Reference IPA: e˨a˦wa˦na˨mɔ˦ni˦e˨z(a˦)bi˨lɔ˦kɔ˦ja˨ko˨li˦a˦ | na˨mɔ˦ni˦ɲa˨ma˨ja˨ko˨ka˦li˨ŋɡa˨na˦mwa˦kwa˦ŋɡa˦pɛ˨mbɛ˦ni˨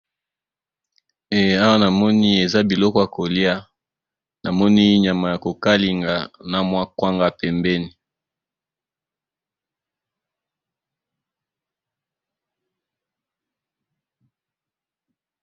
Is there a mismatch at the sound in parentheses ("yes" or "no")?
no